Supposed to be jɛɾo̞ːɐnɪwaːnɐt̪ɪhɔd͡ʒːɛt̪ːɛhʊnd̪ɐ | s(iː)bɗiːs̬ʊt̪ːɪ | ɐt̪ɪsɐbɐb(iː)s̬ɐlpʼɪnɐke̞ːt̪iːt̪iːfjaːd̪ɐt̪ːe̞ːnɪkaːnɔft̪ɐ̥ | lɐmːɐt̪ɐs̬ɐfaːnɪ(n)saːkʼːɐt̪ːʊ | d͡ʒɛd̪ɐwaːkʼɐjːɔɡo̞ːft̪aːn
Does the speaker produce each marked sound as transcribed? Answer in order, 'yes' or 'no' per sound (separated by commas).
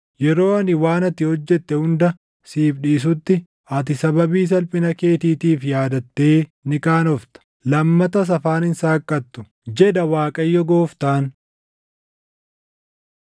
yes, yes, yes